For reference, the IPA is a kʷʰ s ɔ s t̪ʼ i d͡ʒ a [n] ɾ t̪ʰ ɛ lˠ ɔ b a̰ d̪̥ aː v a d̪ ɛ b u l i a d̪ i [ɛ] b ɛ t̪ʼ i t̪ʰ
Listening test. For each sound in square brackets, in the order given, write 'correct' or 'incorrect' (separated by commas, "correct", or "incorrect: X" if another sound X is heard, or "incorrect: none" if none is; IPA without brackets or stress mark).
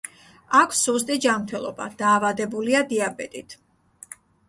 incorrect: m, incorrect: a